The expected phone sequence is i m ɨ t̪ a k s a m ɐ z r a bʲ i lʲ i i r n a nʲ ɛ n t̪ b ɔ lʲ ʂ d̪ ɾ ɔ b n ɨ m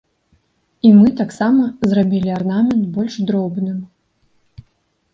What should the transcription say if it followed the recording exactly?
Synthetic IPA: i m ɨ t̪ a k s a m ɐ z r a bʲ i lʲ i a r n a mʲ ɛ n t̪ b ɔ lʲ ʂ d̪ ɾ ɔ b n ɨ m